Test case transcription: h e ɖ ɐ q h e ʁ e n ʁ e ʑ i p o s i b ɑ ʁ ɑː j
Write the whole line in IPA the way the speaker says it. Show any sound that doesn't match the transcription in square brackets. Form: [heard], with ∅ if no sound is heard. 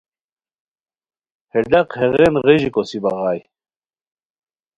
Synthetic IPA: h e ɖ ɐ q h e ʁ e n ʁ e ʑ i [k] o s i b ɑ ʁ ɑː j